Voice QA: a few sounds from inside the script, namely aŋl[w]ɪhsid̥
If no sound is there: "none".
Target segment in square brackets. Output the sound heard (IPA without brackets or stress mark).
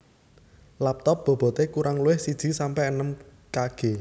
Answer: u